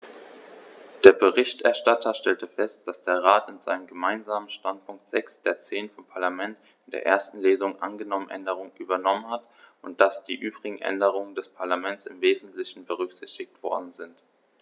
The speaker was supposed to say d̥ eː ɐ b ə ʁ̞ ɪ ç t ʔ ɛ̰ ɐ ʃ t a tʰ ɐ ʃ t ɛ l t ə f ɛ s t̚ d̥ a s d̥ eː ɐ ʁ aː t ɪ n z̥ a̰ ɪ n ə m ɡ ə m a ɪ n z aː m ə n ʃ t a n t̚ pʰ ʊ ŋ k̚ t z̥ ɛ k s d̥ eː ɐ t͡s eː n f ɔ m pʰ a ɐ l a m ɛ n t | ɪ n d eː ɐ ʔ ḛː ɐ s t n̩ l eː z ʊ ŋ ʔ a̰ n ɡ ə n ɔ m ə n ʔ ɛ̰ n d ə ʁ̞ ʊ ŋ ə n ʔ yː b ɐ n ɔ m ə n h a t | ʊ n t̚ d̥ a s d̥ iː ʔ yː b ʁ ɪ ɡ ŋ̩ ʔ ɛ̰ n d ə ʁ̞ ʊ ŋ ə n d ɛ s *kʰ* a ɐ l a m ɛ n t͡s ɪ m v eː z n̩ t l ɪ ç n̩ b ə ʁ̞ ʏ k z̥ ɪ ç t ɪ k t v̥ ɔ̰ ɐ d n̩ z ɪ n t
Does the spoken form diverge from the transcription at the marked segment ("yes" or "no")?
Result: yes